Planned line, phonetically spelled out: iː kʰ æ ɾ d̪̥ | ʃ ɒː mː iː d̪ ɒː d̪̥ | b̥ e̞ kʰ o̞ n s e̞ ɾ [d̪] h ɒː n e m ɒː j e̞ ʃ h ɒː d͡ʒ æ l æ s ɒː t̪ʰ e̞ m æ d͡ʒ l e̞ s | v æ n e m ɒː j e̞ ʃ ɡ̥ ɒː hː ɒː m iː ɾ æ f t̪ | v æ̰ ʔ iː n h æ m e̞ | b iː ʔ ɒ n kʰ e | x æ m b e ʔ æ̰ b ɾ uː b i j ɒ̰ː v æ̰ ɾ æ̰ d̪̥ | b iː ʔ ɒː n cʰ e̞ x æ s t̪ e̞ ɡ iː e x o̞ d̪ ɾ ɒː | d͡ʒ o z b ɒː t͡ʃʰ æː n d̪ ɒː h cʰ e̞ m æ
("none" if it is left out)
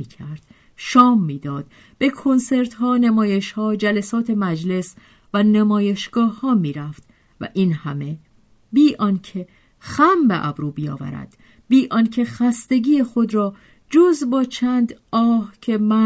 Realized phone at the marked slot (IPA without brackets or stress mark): t̪